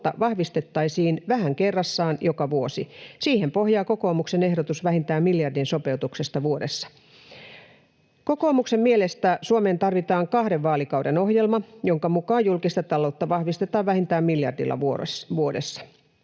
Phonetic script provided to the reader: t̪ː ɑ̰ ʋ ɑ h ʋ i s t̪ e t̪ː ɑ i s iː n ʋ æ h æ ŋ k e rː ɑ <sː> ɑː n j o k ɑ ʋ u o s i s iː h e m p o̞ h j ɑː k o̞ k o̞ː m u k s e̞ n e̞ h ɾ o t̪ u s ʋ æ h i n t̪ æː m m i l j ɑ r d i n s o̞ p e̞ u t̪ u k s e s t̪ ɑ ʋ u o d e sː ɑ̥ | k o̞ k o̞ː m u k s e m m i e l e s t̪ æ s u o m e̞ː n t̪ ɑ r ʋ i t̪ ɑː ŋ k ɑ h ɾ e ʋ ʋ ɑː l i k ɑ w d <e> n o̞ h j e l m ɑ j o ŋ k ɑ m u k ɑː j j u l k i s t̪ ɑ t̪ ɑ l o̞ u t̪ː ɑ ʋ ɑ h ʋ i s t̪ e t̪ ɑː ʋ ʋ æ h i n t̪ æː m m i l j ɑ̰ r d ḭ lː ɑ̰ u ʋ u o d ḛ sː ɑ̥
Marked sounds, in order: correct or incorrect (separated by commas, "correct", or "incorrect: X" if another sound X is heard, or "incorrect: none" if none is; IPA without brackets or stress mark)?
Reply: correct, correct